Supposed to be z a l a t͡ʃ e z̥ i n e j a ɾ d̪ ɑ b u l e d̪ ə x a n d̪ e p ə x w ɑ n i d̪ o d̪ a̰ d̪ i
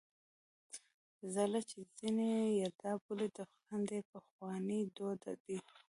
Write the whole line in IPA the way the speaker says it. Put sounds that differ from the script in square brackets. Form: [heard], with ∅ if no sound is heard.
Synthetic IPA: z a l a t͡ʃ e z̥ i n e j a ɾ d̪ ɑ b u l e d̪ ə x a n d̪ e p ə x w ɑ n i d̪ o d̪ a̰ d̪ i